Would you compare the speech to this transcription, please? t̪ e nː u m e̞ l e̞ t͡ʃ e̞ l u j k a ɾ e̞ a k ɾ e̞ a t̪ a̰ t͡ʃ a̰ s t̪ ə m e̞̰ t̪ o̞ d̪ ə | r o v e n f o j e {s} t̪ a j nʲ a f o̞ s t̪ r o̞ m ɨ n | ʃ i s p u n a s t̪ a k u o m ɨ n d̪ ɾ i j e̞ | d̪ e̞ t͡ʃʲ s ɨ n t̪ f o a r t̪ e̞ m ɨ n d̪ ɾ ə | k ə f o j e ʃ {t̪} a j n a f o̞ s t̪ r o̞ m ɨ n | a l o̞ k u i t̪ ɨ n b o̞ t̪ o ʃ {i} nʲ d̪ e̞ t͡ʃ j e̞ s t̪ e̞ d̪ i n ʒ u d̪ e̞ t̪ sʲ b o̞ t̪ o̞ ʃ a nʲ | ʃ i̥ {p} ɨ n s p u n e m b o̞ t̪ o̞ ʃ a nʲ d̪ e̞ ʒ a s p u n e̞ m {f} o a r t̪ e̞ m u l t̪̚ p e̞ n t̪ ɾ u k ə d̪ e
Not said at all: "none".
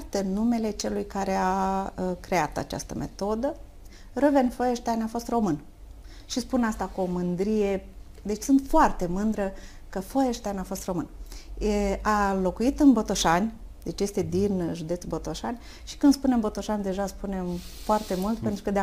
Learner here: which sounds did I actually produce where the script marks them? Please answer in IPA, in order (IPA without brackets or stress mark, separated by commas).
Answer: ʃ, t̪, a, k, f